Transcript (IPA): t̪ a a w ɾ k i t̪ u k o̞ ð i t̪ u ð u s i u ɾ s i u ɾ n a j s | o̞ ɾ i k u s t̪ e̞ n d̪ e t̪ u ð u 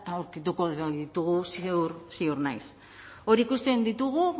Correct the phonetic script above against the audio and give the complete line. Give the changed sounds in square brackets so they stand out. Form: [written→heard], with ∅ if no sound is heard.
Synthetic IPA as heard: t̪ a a w ɾ k i t̪ u k o̞ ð i t̪ u [ð→ɣ] u s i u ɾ s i u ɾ n a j s | o̞ ɾ i k u s t̪ e̞ n d̪ [e→i] t̪ u [ð→ɣ] u

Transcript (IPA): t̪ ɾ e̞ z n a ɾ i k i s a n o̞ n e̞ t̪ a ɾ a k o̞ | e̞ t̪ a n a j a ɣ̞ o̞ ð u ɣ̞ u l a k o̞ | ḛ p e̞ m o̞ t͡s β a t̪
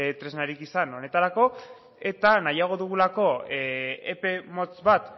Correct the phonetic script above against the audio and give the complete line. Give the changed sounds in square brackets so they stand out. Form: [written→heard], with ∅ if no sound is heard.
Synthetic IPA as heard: t̪ ɾ e̞ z n a ɾ i k i s a n o̞ n e̞ t̪ a ɾ a k o̞ | e̞ t̪ a n a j a ɣ̞ o̞ ð u ɣ̞ u l a k o̞ | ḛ p e̞ m o̞ t͡s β a t̪

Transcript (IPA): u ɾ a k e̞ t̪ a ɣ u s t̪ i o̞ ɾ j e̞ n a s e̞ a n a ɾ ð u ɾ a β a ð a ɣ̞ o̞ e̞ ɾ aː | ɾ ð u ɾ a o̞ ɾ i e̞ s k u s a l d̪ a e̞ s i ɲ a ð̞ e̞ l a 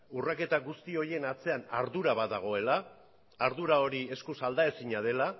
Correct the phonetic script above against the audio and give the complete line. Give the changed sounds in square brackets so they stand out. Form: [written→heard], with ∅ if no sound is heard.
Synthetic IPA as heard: u [ɾ→r] a k e̞ t̪ a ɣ u s t̪ i o̞ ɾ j e̞ n a [s→t͡s] e̞ a n a ɾ ð u ɾ a β a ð a ɣ̞ o̞ e̞ [ɾ→l] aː | ɾ ð u ɾ a o̞ ɾ i e̞ s k u s a l d̪ a e̞ s i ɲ a ð̞ e̞ l a

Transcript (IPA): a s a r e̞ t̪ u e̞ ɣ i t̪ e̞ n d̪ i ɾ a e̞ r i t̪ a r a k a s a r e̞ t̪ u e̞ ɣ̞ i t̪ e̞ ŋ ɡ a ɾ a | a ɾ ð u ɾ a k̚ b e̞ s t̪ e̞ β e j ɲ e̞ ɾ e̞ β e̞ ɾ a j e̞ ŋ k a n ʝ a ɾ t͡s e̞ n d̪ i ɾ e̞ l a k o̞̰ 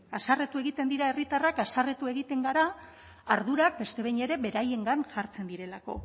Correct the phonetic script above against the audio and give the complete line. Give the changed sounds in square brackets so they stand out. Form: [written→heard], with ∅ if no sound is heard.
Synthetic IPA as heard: a s a r e̞ t̪ u e̞ ɣ i t̪ e̞ n d̪ i ɾ a e̞ r i t̪ a r a k a s a r e̞ t̪ u e̞ ɣ̞ i t̪ e̞ ŋ ɡ a ɾ a | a ɾ ð u ɾ a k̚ b e̞ s t̪ e̞ β e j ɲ e̞ ɾ e̞ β e̞ ɾ a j e̞ ŋ [k→ɡ] a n ʝ a ɾ t͡s e̞ n d̪ i ɾ e̞ l a k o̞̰

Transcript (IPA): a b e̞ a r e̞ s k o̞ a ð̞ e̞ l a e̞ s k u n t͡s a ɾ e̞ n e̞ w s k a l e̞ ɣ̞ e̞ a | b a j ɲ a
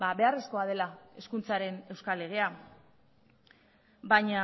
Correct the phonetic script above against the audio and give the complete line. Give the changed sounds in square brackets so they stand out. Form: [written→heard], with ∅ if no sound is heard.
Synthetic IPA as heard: a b e̞ a r e̞ s k o̞ a ð̞ e̞ l a e̞ s k u n t͡s a ɾ e̞ n e̞ w s k a l e̞ ɣ̞ e̞ a | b a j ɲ a

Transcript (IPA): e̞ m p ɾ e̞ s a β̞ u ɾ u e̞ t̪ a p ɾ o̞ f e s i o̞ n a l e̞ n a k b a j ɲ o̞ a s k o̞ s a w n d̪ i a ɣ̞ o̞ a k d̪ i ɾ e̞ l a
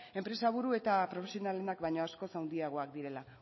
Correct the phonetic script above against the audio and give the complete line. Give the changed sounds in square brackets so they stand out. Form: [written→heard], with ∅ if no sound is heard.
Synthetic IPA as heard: e̞ m p ɾ e̞ s a β̞ u ɾ u e̞ t̪ a p ɾ o̞ f e s i o̞ n a l e̞ n a k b a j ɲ o̞ a s k o̞ s a w n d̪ i a ɣ̞ o̞ a k d̪ i ɾ e̞ l a

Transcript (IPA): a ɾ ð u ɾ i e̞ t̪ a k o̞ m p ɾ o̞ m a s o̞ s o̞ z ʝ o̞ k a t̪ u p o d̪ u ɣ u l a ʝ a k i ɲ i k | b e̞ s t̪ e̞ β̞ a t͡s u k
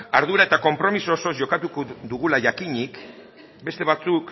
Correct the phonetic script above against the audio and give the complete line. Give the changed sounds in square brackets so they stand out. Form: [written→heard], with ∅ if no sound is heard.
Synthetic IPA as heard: a ɾ ð u ɾ [i→a] e̞ t̪ a k o̞ m p ɾ o̞ m [a→i] s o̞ s o̞ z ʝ o̞ k a t̪ u [p→k] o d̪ u ɣ u l a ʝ a k i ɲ i k | b e̞ s t̪ e̞ β̞ a t͡s u k

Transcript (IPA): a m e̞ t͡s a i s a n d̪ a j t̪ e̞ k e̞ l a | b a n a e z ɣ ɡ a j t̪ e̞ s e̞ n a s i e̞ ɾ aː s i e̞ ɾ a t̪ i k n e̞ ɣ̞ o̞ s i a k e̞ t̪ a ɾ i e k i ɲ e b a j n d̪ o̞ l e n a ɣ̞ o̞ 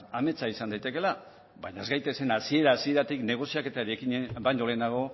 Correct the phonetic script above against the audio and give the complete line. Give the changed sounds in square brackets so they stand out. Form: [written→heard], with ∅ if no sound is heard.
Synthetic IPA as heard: a m e̞ t͡s a i s a n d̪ a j t̪ e̞ k e̞ l a | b a [n→ɲ] a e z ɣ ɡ a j t̪ e̞ s e̞ n a s i e̞ ɾ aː s i e̞ ɾ a t̪ i k n e̞ ɣ̞ o̞ s i a k e̞ t̪ a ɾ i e k i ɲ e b a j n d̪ o̞ l e n a ɣ̞ o̞

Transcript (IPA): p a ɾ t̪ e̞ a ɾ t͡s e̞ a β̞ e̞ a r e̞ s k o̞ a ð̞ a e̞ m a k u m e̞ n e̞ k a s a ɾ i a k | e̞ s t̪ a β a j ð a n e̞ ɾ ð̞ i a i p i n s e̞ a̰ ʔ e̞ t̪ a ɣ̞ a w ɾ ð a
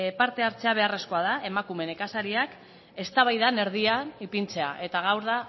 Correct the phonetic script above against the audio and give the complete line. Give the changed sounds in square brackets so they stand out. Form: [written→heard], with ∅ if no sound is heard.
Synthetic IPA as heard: p a ɾ t̪ e̞ a ɾ t͡s e̞ a β̞ e̞ a r e̞ s k o̞ a ð̞ a e̞ m a k u m e̞ n e̞ k a s a ɾ i a k | e̞ s t̪ a β a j ð a n e̞ ɾ ð̞ i a i p i n [s→t͡s] e̞ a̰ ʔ e̞ t̪ a ɣ̞ a w ɾ ð a

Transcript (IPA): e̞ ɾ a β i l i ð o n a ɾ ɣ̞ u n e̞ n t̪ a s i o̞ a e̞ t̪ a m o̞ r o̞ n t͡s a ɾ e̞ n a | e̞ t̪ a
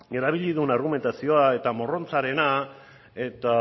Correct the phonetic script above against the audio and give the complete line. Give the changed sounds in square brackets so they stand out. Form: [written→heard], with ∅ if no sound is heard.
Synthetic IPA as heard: e̞ ɾ a β i [l→ʎ] i ð [o→u] n a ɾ ɣ̞ u [n→m] e̞ n t̪ a s i o̞ a e̞ t̪ a m o̞ r o̞ n t͡s a ɾ e̞ n a | e̞ t̪ a

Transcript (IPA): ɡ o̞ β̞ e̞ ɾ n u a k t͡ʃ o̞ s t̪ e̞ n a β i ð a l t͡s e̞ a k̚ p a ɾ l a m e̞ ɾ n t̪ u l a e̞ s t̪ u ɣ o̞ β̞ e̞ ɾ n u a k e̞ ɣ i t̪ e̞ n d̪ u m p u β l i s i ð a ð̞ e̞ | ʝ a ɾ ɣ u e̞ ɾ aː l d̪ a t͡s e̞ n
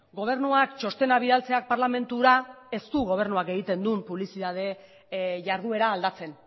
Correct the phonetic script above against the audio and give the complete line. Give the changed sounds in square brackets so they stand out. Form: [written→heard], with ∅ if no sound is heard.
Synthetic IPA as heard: ɡ o̞ β̞ e̞ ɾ n u a k t͡ʃ o̞ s t̪ e̞ n a β i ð a l t͡s e̞ a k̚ p a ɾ l a m e̞ [ɾ→∅] n t̪ u [l→ɾ] a e̞ s t̪ u ɣ o̞ β̞ e̞ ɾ n u a k e̞ ɣ i t̪ e̞ n d̪ u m p u β l i s i ð a ð̞ e̞ | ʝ a ɾ [ɣ→ð] u e̞ ɾ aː l d̪ a t͡s e̞ n

